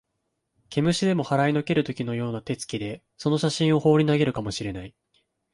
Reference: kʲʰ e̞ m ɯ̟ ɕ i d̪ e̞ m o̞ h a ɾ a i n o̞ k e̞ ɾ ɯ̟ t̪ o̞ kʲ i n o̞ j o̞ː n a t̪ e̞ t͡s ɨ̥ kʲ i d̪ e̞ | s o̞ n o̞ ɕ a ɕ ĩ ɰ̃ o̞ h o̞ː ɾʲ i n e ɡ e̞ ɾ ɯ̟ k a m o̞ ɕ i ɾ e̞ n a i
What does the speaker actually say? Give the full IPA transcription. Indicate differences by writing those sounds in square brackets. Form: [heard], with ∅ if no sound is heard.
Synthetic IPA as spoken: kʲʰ e̞ m ɯ̟ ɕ i d̪ e̞ m o̞ h a ɾ a i n o̞ k e̞ ɾ ɯ̟ t̪ o̞ kʲ i n o̞ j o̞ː n a t̪ e̞ t͡s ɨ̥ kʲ i d̪ e̞ | s o̞ n o̞ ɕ a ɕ ĩ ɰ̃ o̞ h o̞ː ɾʲ i n [a] ɡ e̞ ɾ ɯ̟ k a m o̞ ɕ i ɾ e̞ n a i